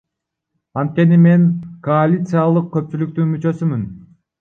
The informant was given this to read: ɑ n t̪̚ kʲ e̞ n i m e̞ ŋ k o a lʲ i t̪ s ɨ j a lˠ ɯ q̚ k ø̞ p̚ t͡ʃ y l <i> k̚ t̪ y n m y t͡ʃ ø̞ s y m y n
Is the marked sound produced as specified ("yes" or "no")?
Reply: no